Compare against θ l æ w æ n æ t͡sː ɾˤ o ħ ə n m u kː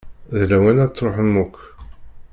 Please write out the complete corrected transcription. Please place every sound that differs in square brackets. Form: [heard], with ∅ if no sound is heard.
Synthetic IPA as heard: [ð] l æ w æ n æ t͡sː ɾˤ o ħ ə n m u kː